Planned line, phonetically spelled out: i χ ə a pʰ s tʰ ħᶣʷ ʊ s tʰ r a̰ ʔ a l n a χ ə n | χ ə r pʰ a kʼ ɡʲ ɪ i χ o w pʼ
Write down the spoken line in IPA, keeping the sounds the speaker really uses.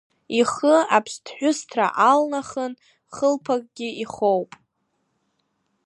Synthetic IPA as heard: i χ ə a pʰ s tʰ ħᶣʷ ʊ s tʰ r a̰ ʔ a l n a χ ə n | χ ə l pʰ a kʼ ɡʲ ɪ i χ o w pʼ

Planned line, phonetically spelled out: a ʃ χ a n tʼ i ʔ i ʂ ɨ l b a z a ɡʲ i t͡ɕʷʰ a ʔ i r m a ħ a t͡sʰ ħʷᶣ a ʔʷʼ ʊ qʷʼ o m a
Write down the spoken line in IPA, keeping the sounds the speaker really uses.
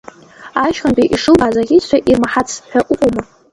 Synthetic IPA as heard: a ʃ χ a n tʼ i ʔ i ʂ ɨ l b a z a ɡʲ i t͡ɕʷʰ a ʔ i r m a ħ a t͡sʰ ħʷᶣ a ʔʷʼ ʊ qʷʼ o m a

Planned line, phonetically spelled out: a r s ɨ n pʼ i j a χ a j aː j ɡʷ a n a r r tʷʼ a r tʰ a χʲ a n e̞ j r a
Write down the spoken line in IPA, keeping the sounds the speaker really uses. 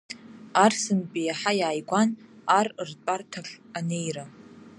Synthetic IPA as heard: a r s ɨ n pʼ i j a ħ a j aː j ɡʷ a n a r r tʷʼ a r tʰ a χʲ a n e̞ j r a

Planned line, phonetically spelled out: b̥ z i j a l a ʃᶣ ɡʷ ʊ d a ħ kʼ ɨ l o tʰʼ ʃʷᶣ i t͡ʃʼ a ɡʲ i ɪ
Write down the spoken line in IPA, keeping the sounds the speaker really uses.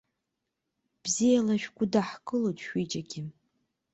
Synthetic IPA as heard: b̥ z i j a l a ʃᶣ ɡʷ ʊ d a ħ kʼ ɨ l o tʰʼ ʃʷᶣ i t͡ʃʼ a ɡʲ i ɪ

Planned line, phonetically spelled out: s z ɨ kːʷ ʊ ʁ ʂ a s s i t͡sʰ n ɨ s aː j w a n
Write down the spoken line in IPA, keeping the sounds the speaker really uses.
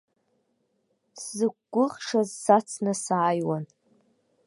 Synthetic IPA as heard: s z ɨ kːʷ ʊ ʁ ʂ a z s a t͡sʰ n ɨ s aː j w a n

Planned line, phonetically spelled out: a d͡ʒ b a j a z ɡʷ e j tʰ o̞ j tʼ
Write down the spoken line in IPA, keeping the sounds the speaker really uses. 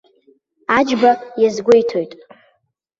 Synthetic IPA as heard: a d͡ʒ b a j a z ɡʷ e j tʰ o̞ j tʼ

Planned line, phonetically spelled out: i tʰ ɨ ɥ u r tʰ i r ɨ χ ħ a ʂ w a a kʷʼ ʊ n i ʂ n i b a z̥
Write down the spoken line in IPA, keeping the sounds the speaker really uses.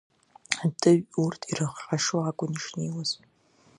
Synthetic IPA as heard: a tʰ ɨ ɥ u r tʰ i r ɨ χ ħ a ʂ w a a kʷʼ ʊ n i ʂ n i w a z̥

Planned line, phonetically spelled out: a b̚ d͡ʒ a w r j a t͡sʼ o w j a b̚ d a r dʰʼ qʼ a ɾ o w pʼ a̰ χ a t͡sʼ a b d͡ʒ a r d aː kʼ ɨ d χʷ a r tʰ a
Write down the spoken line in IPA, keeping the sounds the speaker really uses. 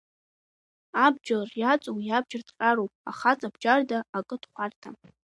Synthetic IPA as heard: a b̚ d͡ʒ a r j a t͡sʼ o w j a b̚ d͡ʒ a r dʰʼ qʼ a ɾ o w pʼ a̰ χ a t͡sʼ a b d͡ʒ a r d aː kʼ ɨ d χʷ a r tʰ a

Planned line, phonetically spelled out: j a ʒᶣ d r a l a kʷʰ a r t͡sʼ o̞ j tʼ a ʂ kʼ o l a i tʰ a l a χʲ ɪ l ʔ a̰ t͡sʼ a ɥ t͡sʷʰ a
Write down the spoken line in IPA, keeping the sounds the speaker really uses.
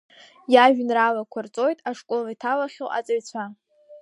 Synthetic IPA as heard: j a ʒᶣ n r a l a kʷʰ a r t͡sʼ o̞ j tʼ a ʂ kʼ o l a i tʰ a l a χʲ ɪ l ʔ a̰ t͡sʼ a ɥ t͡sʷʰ a

